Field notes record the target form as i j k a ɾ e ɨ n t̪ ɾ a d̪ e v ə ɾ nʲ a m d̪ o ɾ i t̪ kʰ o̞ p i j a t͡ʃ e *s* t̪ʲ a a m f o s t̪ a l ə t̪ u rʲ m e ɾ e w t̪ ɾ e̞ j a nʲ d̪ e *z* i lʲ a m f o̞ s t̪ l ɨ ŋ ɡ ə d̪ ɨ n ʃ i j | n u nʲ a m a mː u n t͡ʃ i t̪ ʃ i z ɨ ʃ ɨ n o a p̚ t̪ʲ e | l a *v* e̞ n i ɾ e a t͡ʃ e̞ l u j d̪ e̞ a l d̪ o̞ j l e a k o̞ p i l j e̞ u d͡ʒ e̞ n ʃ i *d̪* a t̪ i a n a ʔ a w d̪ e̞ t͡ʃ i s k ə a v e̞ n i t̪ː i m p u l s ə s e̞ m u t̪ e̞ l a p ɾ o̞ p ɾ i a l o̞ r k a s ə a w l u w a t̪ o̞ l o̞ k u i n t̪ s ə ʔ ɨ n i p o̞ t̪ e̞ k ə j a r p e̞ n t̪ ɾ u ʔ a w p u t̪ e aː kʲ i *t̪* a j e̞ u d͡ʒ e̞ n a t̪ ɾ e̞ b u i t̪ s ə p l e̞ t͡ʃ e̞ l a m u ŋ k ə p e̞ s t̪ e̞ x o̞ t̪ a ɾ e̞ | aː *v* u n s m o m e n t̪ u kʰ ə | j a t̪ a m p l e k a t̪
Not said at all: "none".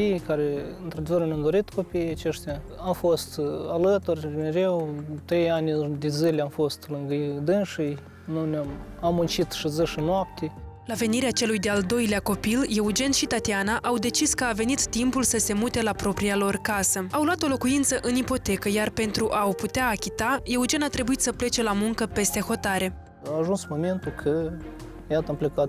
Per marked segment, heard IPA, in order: ʃ, z, v, t̪, t̪, ʒ

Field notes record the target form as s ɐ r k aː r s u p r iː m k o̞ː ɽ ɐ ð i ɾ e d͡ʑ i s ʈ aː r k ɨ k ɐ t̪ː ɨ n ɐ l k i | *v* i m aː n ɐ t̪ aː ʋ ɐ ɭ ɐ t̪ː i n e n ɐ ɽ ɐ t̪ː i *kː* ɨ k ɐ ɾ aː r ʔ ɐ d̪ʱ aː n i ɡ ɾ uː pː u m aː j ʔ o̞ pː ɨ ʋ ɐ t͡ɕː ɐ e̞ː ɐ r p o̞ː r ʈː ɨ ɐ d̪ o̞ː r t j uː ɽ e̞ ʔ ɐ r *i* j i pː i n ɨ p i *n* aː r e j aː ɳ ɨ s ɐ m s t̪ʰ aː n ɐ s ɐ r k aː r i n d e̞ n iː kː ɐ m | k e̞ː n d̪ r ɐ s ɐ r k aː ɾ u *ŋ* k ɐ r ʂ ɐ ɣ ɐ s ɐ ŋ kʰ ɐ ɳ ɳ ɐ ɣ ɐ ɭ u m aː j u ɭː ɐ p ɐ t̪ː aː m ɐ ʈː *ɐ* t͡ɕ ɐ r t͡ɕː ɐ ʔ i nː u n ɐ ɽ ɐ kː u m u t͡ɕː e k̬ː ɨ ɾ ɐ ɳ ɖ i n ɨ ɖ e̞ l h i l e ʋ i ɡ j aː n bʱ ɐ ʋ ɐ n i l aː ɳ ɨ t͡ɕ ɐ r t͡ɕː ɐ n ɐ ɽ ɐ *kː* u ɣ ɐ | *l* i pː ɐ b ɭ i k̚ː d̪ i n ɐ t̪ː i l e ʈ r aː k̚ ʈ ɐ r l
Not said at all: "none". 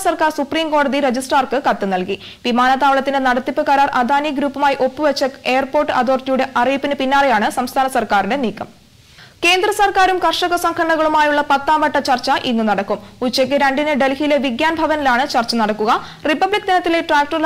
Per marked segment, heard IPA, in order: ʋ, pː, i, nː, m, ɐ, kː, r

